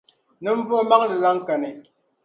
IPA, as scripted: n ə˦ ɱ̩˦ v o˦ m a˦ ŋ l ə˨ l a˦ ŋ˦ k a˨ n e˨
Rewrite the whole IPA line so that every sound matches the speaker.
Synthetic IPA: n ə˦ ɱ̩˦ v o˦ m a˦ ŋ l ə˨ l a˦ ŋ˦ k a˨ n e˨